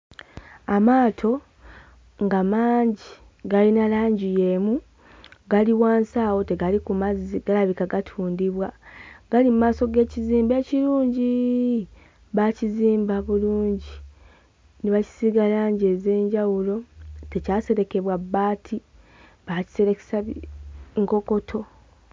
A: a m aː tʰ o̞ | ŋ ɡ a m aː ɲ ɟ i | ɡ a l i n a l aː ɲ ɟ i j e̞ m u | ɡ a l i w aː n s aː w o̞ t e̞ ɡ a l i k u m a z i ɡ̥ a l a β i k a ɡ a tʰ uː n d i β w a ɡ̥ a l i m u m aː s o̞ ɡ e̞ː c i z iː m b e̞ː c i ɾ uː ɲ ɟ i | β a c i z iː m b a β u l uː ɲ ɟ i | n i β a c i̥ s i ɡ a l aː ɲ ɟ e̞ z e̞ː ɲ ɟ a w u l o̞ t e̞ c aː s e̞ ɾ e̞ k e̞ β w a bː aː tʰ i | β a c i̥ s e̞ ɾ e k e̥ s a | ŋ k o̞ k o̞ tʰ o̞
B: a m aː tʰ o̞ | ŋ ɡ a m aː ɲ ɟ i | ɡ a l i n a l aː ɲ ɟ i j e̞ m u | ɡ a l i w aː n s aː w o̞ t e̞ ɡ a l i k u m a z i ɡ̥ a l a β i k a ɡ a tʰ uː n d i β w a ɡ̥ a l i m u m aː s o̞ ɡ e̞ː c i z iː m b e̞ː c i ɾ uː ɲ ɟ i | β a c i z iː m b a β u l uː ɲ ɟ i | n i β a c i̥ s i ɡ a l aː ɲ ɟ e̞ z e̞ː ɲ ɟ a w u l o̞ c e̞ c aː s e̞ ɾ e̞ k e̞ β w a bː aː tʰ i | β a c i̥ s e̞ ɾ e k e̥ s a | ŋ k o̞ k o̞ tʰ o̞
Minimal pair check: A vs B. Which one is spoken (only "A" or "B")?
A